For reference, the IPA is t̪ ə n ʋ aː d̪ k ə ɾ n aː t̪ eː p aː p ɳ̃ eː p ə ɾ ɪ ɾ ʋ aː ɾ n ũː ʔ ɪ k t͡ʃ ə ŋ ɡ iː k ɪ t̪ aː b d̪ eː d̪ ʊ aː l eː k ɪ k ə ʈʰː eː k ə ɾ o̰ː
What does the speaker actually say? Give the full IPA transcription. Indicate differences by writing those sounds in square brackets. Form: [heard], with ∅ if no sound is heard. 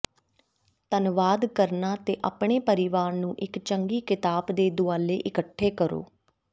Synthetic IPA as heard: t̪ ə n ʋ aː d̪ k ə ɾ n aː t̪ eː [ʔ] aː p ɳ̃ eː p ə ɾ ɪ [∅] ʋ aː ɾ n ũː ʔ ɪ k t͡ʃ ə ŋ ɡ iː k ɪ t̪ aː b d̪ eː d̪ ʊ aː l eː [ʔ] ɪ k ə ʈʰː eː k ə ɾ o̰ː